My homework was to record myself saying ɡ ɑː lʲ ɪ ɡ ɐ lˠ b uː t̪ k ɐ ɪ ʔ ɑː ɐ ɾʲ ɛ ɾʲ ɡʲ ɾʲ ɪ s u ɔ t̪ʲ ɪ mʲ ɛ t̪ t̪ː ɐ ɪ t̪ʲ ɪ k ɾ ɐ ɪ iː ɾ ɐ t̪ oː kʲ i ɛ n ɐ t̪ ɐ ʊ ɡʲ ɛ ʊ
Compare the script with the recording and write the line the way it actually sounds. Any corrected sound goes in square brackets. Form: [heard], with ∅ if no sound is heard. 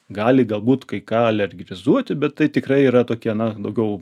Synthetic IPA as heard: ɡ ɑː lʲ ɪ ɡ ɐ lˠ b uː t̪ k ɐ ɪ [k] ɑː ɐ [lʲ] ɛ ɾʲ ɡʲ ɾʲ ɪ [z] u ɔ t̪ʲ ɪ [bʲ] ɛ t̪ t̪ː ɐ ɪ t̪ʲ ɪ k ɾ ɐ ɪ iː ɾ ɐ t̪ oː kʲ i ɛ n ɐ [d̪] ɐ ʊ ɡʲ ɛ ʊ